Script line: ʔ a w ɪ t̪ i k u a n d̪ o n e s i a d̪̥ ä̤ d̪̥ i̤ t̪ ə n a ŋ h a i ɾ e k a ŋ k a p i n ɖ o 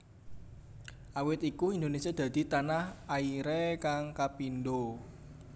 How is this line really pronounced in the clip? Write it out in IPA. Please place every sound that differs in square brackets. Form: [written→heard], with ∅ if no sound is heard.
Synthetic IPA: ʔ a w ɪ t̪ i k u [a→i] n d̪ o n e s i a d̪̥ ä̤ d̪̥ i̤ t̪ [ə→a] n a [ŋ→∅] h a i ɾ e k a ŋ k a p i n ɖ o